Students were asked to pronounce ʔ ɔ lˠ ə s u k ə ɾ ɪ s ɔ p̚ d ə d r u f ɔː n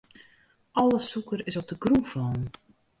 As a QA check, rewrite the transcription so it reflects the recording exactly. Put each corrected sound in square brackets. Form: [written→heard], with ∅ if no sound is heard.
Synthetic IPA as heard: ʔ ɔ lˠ ə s u k ə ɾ ɪ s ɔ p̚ d ə [d→ɡ] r u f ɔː n

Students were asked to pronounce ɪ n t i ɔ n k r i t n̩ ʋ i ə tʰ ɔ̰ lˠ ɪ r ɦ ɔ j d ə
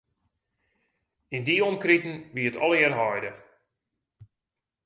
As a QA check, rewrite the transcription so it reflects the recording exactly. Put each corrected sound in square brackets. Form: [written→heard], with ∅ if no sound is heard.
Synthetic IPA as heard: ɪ n [t→d] i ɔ [n→m] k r i t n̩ ʋ i ə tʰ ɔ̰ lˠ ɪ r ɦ ɔ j d ə

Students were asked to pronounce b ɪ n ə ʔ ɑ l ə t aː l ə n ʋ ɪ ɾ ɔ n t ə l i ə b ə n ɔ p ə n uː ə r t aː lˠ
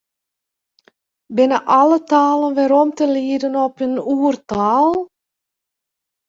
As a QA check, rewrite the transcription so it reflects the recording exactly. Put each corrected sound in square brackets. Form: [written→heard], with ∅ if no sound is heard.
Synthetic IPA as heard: b ɪ n ə ʔ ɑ l ə t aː l ə n ʋ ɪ ɾ ɔ [n→m] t ə l i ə [b→d] ə n ɔ p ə n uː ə r t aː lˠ

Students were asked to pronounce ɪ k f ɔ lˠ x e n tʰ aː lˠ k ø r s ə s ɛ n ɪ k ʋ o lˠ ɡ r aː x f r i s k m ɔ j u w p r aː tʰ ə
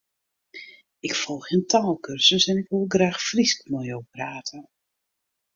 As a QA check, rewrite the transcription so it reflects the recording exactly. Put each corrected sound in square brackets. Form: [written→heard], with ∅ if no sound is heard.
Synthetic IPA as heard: ɪ k f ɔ lˠ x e n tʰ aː lˠ k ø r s ə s ɛ n ɪ k ʋ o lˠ ɡ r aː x f r i s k m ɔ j [u→o] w p r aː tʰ ə

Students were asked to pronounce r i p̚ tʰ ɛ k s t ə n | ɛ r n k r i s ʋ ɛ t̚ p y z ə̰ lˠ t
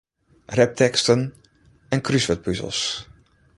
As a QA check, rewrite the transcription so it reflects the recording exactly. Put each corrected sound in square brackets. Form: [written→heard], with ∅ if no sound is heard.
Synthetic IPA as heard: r [i→ɛ] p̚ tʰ ɛ k s t ə n | ɛ [r→∅] n k r [i→y] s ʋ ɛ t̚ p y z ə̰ lˠ [t→s]

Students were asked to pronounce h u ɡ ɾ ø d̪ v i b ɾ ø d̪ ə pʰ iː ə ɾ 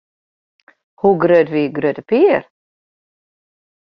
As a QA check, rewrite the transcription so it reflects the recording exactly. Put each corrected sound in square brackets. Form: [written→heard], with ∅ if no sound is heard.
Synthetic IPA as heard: h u ɡ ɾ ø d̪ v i [b→ɡ] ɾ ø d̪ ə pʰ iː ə ɾ

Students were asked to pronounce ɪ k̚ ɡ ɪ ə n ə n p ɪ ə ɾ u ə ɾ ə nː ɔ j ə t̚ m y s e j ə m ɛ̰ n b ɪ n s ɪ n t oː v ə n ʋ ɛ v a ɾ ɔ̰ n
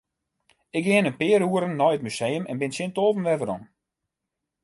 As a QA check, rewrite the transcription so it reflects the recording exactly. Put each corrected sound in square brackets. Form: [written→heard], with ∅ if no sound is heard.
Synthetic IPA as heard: ɪ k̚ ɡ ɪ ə n ə n p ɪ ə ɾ u ə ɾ ə nː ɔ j ə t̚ m y s e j ə m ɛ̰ n b ɪ n s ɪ n t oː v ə n ʋ ɛ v [a→ə] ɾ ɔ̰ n

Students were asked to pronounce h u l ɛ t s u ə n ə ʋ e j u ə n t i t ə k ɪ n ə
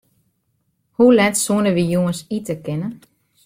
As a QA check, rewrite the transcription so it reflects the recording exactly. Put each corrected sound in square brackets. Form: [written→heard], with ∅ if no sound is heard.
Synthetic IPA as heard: h u l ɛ t s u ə n ə ʋ [e→i] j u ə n [t→s] i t ə k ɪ n ə

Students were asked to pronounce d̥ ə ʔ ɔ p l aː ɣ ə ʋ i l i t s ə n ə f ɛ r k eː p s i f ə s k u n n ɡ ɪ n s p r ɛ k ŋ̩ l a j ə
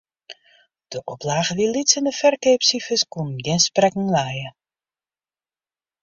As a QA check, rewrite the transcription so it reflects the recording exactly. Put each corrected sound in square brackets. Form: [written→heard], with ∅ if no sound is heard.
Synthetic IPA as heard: d̥ ə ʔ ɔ p l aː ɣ ə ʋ i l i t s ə n ə f ɛ r k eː p s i f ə s k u n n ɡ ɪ n s p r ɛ k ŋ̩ l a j ə

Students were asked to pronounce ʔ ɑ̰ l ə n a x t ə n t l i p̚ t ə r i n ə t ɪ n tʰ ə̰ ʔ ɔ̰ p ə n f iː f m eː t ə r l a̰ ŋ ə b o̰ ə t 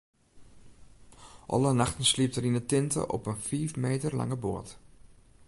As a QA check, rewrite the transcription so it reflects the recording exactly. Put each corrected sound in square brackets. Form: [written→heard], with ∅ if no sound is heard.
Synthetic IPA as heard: ʔ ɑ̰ l ə n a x t ə n [t→s] l i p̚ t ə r i n ə t ɪ n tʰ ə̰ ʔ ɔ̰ p ə n f iː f m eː t ə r l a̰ ŋ ə b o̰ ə t

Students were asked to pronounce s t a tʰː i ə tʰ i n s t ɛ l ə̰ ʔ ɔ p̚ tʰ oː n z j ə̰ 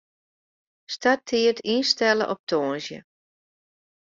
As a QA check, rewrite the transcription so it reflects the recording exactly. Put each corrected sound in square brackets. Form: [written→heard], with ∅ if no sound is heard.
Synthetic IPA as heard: s t a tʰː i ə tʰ i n s t ɛ l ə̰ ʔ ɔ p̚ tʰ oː n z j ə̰

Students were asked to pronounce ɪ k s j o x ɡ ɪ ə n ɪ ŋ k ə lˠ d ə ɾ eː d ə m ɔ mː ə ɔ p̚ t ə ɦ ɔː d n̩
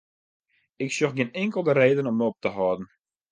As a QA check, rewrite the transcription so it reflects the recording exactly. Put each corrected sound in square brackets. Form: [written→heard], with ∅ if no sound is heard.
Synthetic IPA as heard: ɪ k s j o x ɡ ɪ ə n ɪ ŋ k ə lˠ d ə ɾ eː d ə [m→n] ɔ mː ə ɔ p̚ t ə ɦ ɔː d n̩

